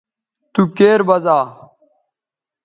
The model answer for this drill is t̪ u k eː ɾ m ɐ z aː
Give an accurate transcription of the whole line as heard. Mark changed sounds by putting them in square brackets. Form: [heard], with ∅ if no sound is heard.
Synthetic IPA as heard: t̪ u k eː ɾ [b] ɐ z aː